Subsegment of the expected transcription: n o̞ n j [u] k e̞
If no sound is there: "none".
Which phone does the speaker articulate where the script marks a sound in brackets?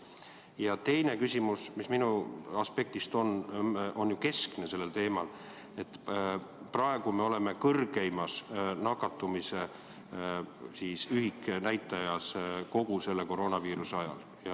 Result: u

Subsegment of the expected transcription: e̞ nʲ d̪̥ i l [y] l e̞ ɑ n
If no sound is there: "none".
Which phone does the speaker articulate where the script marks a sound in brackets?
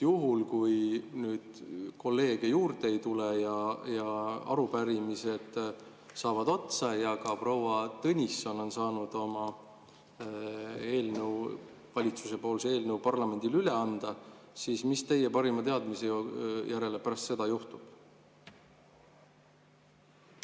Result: y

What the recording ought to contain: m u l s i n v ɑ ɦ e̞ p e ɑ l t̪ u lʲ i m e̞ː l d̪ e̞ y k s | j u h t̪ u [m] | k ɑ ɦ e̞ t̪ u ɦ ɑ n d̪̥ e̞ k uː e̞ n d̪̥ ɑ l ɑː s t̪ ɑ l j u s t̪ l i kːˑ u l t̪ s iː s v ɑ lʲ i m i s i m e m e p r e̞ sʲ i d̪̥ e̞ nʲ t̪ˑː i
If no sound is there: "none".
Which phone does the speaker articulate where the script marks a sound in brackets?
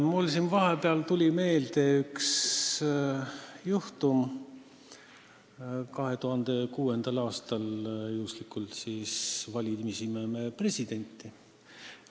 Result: m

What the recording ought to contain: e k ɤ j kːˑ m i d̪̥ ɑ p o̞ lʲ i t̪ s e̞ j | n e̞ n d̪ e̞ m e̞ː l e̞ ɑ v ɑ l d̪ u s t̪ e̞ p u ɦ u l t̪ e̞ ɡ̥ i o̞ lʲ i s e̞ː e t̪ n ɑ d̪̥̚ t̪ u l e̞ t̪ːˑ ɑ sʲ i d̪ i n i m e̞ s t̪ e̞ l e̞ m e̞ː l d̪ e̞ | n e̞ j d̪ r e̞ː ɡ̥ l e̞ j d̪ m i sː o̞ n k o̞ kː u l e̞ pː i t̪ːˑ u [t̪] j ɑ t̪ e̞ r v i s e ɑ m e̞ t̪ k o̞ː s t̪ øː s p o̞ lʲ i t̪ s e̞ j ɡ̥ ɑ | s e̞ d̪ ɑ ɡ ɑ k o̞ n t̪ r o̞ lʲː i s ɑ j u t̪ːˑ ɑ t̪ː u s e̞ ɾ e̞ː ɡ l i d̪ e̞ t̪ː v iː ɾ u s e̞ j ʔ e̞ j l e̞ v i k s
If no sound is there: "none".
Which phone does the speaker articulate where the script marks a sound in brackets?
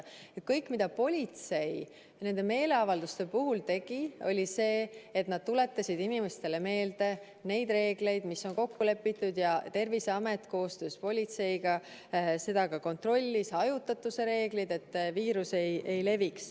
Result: d̪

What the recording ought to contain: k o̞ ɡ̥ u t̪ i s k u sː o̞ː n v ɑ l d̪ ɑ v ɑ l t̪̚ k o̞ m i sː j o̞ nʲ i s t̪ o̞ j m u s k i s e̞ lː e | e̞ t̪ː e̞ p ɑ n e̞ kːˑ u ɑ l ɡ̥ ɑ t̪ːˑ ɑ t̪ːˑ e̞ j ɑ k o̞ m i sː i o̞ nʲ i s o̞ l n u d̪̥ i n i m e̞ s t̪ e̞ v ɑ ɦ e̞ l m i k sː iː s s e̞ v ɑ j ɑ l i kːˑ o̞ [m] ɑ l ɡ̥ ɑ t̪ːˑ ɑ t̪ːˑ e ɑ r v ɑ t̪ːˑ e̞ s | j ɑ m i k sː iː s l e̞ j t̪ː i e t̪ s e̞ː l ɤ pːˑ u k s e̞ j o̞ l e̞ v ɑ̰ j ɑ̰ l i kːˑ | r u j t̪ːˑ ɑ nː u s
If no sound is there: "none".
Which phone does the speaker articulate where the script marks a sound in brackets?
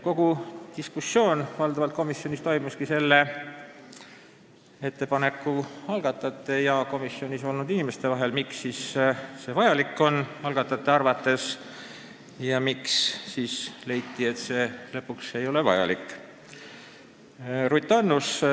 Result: n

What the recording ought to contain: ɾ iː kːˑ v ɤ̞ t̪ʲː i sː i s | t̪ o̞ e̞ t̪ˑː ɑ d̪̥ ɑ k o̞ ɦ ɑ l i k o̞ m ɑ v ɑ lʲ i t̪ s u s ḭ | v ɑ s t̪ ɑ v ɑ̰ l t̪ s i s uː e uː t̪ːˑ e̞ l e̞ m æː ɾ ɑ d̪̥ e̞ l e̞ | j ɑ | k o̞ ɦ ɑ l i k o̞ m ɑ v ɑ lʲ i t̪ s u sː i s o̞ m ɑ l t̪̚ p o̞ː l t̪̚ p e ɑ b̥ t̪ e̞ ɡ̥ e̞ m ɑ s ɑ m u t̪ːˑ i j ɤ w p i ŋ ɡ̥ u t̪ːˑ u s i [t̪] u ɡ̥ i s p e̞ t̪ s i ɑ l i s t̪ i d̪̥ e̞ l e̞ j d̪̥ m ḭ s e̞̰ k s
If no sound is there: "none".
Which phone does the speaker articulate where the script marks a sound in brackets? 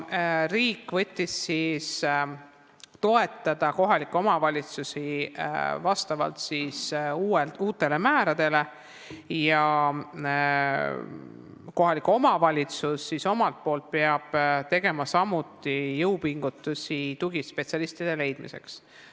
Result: t̪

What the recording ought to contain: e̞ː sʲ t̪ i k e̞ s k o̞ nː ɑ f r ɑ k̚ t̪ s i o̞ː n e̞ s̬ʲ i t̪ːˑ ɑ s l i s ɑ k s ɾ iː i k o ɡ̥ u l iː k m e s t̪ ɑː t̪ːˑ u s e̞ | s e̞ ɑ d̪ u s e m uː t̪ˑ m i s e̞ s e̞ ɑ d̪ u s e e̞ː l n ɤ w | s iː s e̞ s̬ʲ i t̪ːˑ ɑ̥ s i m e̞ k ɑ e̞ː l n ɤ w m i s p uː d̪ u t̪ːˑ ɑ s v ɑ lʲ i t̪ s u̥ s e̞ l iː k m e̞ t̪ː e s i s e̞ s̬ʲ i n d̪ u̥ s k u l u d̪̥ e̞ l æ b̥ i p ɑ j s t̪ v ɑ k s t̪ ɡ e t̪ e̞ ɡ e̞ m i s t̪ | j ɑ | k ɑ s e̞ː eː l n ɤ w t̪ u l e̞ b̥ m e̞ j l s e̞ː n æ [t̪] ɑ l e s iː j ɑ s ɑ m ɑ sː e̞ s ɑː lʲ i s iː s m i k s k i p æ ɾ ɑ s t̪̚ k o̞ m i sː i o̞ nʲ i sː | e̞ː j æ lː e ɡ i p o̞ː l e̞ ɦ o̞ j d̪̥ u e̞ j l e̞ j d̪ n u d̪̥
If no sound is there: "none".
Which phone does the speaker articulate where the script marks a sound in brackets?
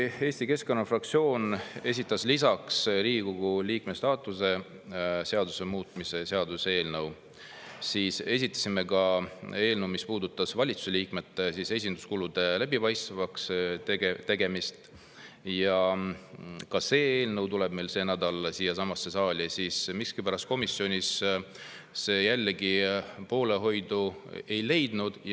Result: d̪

